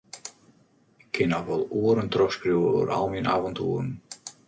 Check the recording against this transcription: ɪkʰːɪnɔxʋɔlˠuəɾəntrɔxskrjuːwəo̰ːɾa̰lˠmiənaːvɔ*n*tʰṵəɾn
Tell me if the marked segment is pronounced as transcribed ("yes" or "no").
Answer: yes